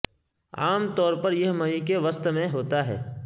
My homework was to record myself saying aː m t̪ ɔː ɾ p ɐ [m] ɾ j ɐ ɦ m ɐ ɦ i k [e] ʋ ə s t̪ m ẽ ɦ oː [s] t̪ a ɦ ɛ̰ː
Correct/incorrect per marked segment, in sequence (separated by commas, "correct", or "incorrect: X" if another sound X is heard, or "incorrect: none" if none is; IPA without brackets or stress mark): incorrect: none, correct, incorrect: none